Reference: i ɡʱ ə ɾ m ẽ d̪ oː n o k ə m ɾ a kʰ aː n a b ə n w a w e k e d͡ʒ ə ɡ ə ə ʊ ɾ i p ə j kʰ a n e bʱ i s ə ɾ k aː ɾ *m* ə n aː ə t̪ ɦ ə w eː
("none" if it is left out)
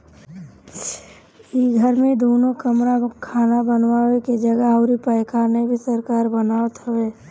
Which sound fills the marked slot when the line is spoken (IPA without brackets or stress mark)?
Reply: b